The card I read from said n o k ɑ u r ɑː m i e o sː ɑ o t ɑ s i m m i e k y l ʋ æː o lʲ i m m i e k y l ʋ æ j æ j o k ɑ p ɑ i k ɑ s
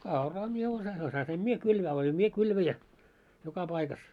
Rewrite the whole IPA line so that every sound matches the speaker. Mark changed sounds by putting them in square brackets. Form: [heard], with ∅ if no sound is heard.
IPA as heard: n o k ɑ u r ɑː m i e o [s] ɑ o [s] ɑ s i m m i e k y l ʋ æː o lʲ i m m i e k y l ʋ æ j æ j o k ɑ p ɑ i k ɑ s